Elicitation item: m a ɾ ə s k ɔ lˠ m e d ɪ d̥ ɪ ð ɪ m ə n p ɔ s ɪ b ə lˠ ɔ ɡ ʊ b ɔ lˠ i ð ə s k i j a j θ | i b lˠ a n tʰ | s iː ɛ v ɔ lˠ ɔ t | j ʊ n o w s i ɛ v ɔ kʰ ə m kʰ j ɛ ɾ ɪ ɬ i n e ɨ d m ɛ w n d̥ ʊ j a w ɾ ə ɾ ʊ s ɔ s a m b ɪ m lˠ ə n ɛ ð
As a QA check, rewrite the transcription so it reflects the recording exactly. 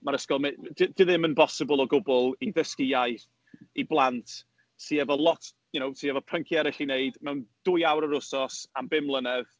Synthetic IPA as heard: m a ɾ ə s k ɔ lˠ m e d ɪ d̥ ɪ ð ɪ m ə n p ɔ s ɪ b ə lˠ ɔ ɡ ʊ b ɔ lˠ i ð ə s k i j a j θ | i b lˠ a n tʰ | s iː ɛ v ɔ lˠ ɔ t | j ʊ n o w s i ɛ v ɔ pʰ ə ŋ kʰ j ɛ ɾ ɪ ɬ i n e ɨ d m ɛ w n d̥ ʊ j a w ɾ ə ɾ ʊ s ɔ s a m b ɪ m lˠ ə n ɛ ð

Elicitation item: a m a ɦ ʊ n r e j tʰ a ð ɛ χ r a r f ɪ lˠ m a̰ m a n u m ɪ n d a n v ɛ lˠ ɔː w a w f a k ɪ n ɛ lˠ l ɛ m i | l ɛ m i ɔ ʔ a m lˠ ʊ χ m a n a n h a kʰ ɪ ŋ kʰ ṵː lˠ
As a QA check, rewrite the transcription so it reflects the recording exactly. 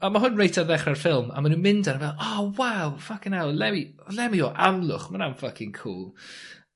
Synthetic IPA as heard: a m a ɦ ʊ n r e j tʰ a ð ɛ χ r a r f ɪ lˠ m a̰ m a n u m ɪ n d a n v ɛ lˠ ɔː w a w f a k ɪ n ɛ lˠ l ɛ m i | l ɛ m i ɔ ʔ a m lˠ ʊ χ m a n a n f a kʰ ɪ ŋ kʰ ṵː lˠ

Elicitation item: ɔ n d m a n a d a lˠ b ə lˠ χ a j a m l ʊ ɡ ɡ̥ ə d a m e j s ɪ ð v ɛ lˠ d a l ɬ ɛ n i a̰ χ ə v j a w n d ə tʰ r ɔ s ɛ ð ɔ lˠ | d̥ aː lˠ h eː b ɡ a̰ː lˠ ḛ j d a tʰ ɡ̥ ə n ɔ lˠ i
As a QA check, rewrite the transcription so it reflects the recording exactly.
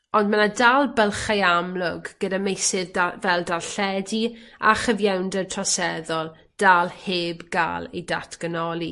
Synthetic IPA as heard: ɔ n d m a n a d a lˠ b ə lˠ χ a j a m l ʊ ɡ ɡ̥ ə d a m e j s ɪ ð v ɛ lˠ d a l ɬ ɛ d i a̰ χ ə v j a w n d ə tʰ r ɔ s ɛ ð ɔ lˠ | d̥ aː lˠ h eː b ɡ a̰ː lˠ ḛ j d a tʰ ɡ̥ ə n ɔ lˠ i

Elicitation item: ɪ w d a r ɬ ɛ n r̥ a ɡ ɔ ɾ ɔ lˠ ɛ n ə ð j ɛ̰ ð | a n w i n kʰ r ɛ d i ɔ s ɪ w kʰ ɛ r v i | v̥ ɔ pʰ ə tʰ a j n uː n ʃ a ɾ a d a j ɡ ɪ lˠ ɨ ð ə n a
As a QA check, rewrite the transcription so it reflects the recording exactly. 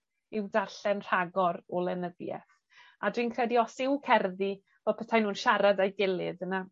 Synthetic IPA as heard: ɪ w d a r ɬ ɛ n r̥ a ɡ ɔ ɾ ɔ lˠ ɛ n ə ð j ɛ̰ θ | a d w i n kʰ r ɛ d i ɔ s ɪ w kʰ ɛ r ð i | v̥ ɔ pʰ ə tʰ a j n uː n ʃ a ɾ a d a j ɡ ɪ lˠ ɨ ð ə n a

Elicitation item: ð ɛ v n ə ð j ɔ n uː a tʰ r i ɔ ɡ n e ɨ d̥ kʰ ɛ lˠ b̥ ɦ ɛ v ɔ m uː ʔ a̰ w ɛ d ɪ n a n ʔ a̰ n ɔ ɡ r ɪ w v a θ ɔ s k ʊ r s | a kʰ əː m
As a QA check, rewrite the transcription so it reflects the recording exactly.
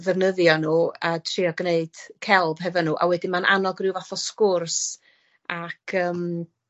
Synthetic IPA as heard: ð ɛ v n ə ð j ɔ n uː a tʰ r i ɔ ɡ n e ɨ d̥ kʰ ɛ lˠ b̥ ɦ ɛ v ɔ n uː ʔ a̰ w ɛ d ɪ m a n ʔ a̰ n ɔ ɡ r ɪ w v a θ ɔ s k ʊ r s | a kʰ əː m

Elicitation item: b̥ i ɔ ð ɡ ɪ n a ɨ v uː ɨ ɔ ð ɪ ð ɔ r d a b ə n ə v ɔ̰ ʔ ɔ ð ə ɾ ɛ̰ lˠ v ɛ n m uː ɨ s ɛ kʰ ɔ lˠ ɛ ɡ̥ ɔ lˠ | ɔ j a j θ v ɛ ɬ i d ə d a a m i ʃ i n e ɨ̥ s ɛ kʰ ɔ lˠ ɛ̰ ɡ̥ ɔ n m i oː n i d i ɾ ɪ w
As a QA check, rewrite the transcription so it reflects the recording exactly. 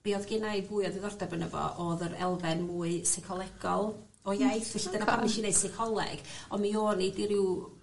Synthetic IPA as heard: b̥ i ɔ ð ɡ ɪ n a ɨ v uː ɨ ɔ ð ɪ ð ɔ r d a b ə n ə v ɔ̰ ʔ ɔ ð ə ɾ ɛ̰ lˠ v ɛ n m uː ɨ s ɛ kʰ ɔ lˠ ɛ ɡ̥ ɔ lˠ | ɔ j a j θ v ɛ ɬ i d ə n a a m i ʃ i n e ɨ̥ s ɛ kʰ ɔ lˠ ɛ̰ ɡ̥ ɔ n m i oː n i d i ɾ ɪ w

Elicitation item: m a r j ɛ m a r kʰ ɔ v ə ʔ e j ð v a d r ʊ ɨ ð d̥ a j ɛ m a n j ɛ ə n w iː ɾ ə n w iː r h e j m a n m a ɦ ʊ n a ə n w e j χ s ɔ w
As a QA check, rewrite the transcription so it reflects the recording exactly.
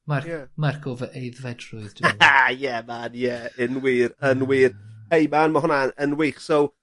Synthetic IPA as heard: m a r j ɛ m a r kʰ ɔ v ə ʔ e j ð v ɛ d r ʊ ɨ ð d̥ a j ɛ m a n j ɛ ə n w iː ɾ ə n w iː r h e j m a n m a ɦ ʊ n a ə n w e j χ s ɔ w

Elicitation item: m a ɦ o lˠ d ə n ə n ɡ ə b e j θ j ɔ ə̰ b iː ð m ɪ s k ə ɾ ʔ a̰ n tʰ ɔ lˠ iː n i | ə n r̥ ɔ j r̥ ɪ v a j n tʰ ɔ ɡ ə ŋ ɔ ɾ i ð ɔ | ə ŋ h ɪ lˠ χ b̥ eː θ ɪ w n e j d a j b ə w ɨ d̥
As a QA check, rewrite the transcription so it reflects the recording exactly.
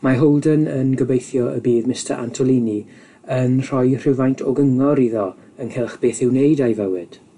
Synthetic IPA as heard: m a ɦ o lˠ d ə n ə n ɡ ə b e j θ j ɔ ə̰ b iː ð m ɪ s t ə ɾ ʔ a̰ n tʰ ɔ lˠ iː n i | ə n r̥ ɔ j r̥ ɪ v a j n tʰ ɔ ɡ ə ŋ ɔ ɾ i ð ɔ | ə n h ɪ lˠ χ b̥ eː θ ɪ w n e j d a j v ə w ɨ d̥

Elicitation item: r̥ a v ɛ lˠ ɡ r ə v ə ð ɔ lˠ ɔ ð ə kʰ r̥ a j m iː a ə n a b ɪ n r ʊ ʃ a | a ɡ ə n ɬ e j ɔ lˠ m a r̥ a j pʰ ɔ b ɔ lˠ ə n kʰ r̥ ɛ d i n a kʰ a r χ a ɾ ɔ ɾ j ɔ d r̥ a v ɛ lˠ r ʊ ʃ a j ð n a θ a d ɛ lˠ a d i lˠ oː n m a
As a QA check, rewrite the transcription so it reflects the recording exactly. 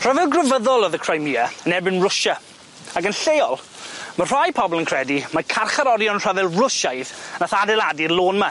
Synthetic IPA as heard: r̥ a v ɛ lˠ ɡ r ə v ə ð ɔ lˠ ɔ ð ə kʰ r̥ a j m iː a ə n ɛ b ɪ n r ʊ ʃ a | a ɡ ə n ɬ e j ɔ lˠ m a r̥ a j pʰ ɔ b ɔ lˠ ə n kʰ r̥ ɛ d i m a kʰ a r χ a ɾ ɔ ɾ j ɔ n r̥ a v ɛ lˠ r ʊ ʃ a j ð n a θ a d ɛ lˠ a d i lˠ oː n m a

